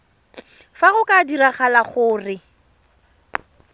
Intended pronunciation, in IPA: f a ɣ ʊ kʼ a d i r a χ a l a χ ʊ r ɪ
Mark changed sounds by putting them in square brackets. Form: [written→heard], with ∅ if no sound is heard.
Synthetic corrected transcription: f a ɣ ʊ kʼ a d i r a χ a l a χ [ʊ→ʊː] r ɪ